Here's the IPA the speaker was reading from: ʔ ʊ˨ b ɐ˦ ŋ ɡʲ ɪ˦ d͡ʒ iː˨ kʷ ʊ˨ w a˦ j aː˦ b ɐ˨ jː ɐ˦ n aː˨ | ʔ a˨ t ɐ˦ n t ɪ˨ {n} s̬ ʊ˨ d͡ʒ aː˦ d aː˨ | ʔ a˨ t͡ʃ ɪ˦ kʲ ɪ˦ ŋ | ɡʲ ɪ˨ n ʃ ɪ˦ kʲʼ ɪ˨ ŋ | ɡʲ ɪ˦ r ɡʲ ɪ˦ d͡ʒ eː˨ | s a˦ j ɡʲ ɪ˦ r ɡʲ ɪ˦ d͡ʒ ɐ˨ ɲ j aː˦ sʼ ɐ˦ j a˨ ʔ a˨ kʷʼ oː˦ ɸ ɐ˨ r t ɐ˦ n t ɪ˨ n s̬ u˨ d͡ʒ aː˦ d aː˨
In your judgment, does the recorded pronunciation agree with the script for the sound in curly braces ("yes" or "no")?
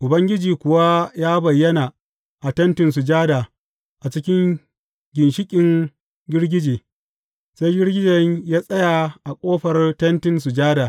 yes